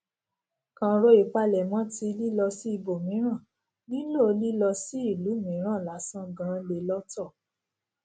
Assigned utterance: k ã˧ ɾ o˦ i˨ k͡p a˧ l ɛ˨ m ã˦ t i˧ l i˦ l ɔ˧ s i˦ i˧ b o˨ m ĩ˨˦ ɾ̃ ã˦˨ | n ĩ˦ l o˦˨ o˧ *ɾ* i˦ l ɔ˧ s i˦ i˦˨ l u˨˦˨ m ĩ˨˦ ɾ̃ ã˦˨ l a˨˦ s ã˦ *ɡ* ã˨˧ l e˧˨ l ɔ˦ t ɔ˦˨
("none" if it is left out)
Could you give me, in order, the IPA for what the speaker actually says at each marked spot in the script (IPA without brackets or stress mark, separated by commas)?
l, ɡ